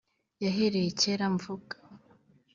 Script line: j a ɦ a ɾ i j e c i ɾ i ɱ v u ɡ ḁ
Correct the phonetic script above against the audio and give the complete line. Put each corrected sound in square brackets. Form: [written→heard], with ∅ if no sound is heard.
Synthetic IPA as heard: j a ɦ [a→e] ɾ [i→e] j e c [i→e] ɾ [i→a] ɱ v u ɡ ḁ